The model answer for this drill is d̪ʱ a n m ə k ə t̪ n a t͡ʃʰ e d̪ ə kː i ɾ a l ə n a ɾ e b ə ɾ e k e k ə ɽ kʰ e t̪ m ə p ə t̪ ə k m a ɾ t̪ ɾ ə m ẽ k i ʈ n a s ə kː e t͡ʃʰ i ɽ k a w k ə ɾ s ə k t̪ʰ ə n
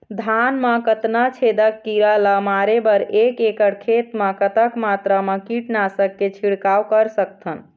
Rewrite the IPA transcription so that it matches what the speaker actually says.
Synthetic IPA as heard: d̪ʱ a n m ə k ə t̪ n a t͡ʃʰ e d̪ ə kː i ɾ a l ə m a ɾ e b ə ɾ e k e k ə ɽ kʰ e t̪ m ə k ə t̪ ə k m a t̪ ɾ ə m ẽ k i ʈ n a s ə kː e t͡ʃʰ i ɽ k a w k ə ɾ s ə k t̪ʰ ə n